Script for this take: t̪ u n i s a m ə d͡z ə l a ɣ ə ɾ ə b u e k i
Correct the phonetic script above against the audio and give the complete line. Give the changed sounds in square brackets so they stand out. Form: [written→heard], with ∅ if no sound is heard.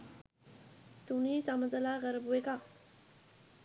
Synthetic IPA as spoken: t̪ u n i s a m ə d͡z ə l a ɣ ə ɾ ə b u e k [i→a]